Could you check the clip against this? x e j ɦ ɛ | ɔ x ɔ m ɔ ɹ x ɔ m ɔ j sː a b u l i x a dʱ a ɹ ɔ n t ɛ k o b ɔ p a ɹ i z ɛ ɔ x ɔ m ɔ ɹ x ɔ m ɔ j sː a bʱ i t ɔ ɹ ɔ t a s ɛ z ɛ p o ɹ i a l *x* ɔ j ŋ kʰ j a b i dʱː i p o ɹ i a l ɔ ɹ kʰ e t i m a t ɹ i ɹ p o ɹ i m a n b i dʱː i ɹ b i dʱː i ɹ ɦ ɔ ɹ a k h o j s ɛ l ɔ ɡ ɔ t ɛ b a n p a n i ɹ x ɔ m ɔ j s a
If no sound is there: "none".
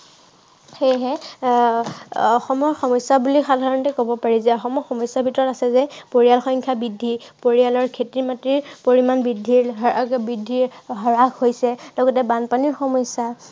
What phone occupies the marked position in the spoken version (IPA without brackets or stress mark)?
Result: x